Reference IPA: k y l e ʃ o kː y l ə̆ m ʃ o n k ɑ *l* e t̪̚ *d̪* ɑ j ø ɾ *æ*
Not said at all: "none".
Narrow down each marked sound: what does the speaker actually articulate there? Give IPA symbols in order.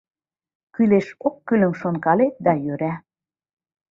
l, d̪, æ

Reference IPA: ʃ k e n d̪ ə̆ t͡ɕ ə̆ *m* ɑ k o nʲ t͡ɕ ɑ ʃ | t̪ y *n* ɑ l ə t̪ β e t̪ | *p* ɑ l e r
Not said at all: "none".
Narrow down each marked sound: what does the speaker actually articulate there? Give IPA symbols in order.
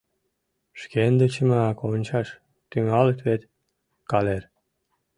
m, ŋ, k

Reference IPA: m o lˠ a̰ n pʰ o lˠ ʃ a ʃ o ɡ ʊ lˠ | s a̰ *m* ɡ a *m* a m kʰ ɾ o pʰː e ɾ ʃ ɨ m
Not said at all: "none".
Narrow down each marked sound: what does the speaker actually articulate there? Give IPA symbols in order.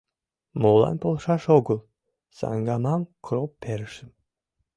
ŋ, m

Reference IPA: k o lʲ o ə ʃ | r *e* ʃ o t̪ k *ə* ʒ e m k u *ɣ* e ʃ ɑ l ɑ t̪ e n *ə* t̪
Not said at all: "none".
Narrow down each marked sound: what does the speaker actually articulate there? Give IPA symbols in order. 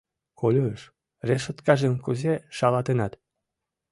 e, ɑ, z, ɑ

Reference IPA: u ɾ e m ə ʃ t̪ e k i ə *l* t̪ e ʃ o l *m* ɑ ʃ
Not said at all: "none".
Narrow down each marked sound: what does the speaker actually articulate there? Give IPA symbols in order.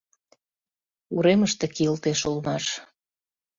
l, m

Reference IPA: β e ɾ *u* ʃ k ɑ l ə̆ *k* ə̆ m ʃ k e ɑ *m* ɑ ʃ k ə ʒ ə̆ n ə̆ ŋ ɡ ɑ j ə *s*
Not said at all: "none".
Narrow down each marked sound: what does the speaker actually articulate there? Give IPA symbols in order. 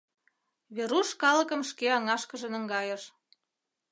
u, k, ŋ, ʃ

